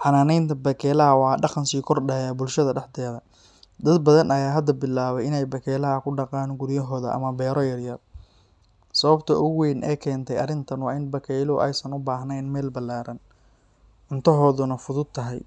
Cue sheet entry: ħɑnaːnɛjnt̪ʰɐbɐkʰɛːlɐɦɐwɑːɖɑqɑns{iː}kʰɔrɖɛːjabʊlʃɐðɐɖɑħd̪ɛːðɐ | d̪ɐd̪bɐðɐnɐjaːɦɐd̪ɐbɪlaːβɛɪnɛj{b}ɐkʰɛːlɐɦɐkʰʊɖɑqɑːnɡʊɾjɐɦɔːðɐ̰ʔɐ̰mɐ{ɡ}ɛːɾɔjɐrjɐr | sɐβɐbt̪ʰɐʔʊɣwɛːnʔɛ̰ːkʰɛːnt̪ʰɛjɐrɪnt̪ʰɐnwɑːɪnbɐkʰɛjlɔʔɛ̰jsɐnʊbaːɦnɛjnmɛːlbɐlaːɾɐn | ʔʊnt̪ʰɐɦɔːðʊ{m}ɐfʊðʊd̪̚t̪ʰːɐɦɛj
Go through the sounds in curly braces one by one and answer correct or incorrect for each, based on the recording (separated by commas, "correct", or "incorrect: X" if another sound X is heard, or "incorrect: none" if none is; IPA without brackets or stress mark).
correct, correct, incorrect: b, incorrect: n